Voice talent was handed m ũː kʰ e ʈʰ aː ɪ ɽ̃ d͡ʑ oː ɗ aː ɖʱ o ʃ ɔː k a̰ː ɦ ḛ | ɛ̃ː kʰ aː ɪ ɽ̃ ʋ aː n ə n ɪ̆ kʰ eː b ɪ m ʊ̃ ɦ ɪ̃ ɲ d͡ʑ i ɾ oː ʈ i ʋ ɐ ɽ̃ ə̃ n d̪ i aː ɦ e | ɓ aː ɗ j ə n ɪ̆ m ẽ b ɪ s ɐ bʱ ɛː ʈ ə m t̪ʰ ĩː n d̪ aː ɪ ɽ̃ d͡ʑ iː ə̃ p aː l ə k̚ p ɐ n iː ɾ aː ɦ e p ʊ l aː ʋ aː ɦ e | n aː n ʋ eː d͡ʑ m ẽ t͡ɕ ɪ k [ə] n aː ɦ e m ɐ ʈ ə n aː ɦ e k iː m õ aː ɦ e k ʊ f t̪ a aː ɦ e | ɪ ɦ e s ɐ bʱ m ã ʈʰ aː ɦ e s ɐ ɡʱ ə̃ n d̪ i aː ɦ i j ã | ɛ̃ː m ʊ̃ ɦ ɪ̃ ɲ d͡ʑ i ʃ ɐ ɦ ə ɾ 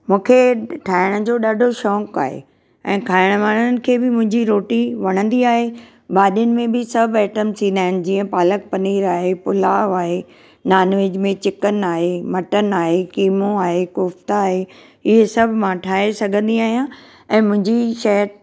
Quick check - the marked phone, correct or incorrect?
correct